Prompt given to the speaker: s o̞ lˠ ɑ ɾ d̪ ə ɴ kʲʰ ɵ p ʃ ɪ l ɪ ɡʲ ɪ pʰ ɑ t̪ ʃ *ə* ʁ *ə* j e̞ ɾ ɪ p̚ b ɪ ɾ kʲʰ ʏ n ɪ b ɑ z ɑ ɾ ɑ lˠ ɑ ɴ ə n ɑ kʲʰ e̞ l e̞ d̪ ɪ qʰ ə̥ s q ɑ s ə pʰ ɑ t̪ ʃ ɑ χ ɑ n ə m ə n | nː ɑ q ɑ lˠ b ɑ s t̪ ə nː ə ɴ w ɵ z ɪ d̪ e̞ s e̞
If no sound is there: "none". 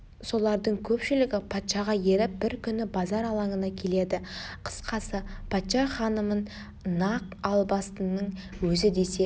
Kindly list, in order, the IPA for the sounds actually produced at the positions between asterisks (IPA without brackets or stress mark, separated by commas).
ɑ, ɑ